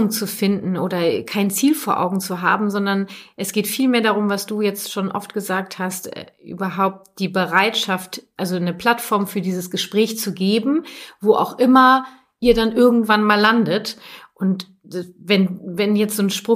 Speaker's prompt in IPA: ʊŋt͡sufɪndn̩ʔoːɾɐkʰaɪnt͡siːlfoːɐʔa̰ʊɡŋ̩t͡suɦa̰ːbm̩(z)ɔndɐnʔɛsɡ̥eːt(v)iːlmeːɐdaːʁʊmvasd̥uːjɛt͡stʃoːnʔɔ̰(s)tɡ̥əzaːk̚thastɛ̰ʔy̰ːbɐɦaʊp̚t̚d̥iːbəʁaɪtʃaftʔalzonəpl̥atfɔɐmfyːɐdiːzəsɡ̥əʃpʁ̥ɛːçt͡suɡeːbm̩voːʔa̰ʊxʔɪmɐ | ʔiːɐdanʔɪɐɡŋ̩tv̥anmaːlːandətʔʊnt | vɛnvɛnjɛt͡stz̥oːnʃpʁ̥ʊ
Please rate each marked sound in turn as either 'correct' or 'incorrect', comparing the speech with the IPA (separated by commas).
correct, incorrect, incorrect